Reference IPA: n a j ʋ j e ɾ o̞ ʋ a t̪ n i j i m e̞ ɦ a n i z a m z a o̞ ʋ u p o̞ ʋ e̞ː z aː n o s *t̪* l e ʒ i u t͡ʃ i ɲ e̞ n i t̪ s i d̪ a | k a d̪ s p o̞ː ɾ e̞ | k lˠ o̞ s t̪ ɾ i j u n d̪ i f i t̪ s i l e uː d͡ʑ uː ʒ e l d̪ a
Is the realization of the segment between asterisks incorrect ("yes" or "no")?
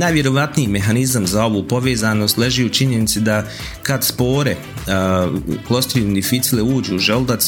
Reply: no